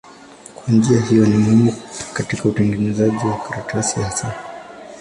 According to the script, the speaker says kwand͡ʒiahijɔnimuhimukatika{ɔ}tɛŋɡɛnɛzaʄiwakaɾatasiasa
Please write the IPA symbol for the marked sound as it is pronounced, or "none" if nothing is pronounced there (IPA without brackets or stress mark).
u